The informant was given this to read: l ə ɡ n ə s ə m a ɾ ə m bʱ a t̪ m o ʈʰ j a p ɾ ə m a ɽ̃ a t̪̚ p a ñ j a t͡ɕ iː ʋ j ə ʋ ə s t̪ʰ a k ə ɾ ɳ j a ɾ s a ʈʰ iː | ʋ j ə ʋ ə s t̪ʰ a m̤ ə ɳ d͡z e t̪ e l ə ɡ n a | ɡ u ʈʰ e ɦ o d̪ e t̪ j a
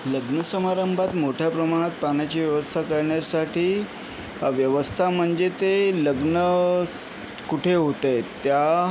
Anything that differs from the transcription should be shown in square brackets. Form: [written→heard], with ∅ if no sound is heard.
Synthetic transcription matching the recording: l ə ɡ n ə s ə m a ɾ ə m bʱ a t̪ m o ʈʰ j a p ɾ ə m a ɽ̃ a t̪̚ p a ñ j a t͡ɕ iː ʋ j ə ʋ ə s t̪ʰ a k ə ɾ ɳ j a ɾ s a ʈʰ iː | ʋ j ə ʋ ə s t̪ʰ a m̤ ə ɳ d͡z e t̪ e l ə ɡ n [a→ə] | [ɡ→k] u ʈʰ e ɦ o [d̪→t̪] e t̪ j a